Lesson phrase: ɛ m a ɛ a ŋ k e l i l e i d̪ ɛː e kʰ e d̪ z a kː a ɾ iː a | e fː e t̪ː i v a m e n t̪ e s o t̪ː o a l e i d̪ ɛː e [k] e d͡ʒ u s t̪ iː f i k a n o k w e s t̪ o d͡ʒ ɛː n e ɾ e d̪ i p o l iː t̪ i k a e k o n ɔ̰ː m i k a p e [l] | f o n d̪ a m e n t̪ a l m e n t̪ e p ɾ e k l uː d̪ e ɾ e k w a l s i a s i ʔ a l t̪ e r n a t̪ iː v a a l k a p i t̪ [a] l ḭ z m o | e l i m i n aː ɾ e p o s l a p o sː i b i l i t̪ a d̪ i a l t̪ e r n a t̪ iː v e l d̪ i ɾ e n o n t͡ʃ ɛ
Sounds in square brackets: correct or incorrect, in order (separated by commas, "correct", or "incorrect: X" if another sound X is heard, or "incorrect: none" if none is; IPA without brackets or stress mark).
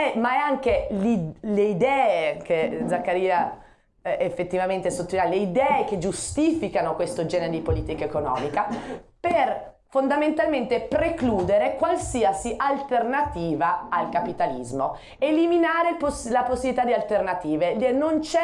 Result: correct, incorrect: r, correct